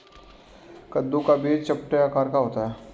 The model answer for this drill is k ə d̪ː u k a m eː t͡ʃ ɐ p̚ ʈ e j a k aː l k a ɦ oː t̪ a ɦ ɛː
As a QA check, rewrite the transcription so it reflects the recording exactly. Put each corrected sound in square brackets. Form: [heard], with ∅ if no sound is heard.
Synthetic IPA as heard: k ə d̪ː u k a [b] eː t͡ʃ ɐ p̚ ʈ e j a k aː [ɾ] k a ɦ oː t̪ a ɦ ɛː